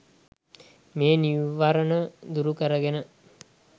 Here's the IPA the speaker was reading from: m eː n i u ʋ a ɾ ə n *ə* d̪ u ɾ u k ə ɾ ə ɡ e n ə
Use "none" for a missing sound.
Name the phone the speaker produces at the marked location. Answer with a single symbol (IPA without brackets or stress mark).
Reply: ə